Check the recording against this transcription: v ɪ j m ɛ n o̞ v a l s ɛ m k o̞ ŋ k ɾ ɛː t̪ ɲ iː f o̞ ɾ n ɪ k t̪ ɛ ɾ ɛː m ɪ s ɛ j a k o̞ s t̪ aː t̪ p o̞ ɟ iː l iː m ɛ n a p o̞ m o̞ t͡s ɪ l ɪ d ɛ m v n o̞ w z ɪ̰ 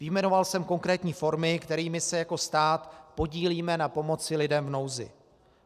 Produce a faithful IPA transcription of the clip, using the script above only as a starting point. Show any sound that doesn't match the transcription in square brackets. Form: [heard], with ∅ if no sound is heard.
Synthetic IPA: v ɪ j m ɛ n o̞ v a l s ɛ m k o̞ ŋ k ɾ ɛː t̪ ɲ iː f o̞ ɾ [m] ɪ k t̪ ɛ ɾ [iː] m ɪ s ɛ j a k o̞ s t̪ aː t̪ p o̞ ɟ iː l iː m ɛ n a p o̞ m o̞ t͡s ɪ l ɪ d ɛ m v n o̞ w z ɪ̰